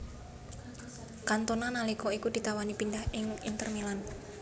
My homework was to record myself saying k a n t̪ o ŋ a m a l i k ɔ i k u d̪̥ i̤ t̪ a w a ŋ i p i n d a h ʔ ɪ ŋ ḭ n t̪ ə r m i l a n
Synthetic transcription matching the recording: k a n t̪ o n a n a l i k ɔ i k u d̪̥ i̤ t̪ a w a n i p i n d a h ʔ ɪ ŋ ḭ n t̪ ə r m i l a n